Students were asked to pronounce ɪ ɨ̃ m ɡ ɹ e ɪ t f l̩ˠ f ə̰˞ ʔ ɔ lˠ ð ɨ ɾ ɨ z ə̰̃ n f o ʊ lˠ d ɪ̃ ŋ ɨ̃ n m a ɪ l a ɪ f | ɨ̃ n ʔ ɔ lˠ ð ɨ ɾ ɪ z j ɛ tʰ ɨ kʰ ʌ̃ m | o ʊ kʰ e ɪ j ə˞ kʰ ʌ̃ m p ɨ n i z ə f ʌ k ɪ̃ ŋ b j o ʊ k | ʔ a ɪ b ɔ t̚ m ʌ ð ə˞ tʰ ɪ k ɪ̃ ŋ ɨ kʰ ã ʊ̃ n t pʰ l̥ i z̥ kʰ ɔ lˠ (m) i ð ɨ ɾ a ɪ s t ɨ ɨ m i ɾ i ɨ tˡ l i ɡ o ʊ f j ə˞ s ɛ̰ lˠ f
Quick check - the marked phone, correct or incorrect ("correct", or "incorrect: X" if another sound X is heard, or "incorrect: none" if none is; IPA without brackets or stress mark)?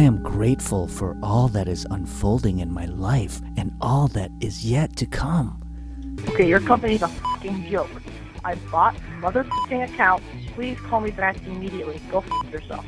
correct